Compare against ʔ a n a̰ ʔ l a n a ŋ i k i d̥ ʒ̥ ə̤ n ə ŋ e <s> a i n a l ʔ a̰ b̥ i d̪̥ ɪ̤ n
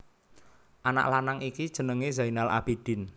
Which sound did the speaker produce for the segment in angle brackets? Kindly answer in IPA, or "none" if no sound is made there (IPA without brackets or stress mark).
z